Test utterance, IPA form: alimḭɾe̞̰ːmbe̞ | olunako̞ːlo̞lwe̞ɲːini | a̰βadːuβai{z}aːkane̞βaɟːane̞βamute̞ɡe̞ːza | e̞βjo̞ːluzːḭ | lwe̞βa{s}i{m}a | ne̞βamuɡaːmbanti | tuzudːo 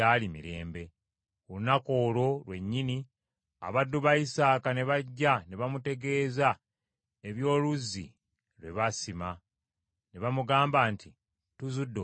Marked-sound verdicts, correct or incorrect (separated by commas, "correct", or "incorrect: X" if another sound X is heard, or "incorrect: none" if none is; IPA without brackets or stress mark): incorrect: s, correct, correct